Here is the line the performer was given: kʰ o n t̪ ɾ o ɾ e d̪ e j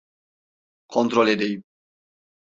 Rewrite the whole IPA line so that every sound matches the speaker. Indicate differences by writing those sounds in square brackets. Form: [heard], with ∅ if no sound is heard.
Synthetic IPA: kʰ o n t̪ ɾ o [l] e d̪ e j